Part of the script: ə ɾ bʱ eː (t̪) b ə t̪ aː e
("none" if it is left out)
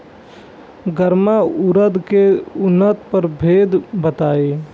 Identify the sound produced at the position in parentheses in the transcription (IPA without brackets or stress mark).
d̪